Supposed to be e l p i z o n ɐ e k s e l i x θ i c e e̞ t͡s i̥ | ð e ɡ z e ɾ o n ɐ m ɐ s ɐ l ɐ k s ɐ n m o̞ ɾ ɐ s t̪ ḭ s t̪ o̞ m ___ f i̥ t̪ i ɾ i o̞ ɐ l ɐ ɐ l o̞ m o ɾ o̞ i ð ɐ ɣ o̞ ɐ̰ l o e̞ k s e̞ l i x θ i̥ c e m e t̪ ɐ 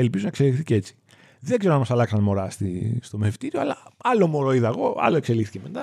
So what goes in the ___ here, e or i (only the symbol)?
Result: e